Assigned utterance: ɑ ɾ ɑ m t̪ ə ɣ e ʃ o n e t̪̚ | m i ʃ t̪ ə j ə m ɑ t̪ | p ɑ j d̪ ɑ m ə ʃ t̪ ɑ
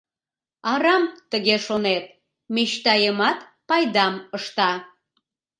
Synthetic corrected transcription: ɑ ɾ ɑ m t̪ ə ɣ e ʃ o n e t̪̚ | m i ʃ t̪ ɑ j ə m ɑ t̪ | p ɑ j d̪ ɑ m ə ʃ t̪ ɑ